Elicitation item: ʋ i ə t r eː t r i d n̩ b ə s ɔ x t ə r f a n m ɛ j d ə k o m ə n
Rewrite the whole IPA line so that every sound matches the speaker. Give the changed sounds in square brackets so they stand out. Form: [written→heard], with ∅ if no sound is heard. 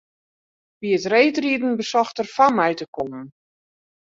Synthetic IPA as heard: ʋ i ə t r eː t r i d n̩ b ə s ɔ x t ə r f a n m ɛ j [d→t] ə k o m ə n